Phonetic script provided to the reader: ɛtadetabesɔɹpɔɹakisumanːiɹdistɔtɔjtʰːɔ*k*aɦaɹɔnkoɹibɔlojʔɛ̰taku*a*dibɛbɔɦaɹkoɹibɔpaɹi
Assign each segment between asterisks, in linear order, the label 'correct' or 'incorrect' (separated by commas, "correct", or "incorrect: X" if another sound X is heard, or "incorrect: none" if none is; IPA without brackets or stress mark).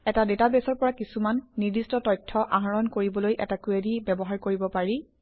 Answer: incorrect: ʔ, incorrect: e